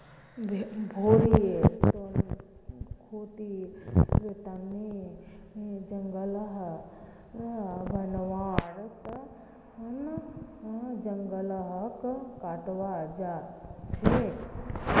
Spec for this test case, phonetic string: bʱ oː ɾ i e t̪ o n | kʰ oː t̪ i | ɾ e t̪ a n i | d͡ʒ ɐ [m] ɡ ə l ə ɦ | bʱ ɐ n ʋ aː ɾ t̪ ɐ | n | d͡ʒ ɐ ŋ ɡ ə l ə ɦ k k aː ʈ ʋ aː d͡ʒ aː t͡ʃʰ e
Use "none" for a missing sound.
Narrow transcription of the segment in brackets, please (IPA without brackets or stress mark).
ŋ